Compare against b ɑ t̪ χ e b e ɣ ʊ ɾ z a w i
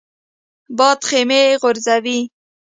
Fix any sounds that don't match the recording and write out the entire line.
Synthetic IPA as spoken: b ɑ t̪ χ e m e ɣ ʊ ɾ z a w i